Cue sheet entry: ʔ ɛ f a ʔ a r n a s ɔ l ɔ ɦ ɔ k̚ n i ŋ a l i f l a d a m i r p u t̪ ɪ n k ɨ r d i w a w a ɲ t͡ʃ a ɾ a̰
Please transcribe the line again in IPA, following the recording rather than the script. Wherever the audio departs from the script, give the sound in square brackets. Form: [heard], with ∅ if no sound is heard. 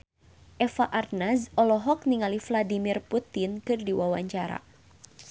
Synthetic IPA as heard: ʔ ɛ f a ʔ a r n a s ɔ l ɔ ɦ ɔ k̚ n i ŋ a l i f l a d [i] m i r p u t̪ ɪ n k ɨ r d i w a w a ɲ t͡ʃ a ɾ a̰